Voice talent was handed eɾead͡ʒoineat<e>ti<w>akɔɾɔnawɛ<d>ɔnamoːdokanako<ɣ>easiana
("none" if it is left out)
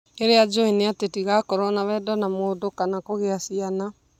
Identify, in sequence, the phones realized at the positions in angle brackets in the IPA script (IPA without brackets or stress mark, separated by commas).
e, ɣ, d, ɣ